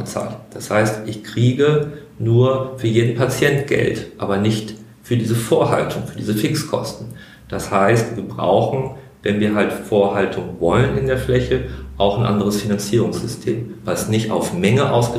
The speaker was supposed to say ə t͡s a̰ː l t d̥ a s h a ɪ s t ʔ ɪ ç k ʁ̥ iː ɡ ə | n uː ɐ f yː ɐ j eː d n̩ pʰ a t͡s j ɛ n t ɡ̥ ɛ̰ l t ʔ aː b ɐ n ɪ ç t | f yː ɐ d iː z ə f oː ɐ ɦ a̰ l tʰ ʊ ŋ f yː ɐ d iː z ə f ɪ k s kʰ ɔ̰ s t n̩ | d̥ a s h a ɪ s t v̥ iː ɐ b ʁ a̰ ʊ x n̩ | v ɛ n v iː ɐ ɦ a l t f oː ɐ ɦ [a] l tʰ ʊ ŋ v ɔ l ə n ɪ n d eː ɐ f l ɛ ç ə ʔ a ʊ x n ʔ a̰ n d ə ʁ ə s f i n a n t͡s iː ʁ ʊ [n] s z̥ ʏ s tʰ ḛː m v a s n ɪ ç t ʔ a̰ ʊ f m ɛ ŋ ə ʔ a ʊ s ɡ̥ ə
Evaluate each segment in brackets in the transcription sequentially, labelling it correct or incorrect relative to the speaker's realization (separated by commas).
correct, incorrect